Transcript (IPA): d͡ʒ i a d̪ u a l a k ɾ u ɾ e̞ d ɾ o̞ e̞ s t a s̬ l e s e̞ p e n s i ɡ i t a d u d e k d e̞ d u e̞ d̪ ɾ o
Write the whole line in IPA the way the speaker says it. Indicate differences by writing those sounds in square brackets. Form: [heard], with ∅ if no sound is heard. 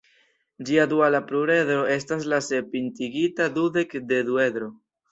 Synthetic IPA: d͡ʒ i a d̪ u a l a [p] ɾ u ɾ e̞ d ɾ o̞ e̞ s t a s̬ l [a] s e̞ p [i] n [t] i ɡ i t a d u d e k d e̞ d u e̞ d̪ ɾ o